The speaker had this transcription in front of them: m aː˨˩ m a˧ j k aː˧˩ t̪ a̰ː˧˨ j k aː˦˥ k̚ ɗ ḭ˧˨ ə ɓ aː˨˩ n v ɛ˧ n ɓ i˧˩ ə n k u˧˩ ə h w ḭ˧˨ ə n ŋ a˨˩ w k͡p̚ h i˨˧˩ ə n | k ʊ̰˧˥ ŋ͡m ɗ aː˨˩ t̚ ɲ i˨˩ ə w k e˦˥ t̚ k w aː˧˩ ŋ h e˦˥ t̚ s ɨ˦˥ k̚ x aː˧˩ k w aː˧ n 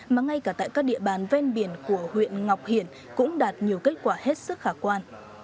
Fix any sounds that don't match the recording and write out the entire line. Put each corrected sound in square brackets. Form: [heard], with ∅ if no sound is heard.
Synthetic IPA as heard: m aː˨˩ [ŋ] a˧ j k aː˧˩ t̪ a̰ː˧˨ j k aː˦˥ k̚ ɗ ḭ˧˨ ə ɓ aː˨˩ n v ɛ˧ n ɓ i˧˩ ə n k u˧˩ ə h w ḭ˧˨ ə n ŋ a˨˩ w k͡p̚ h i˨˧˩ ə n | k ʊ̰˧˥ ŋ͡m ɗ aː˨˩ t̚ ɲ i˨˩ ə w k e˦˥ t̚ k w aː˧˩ [∅] h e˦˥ t̚ s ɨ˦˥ k̚ x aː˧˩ k w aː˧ n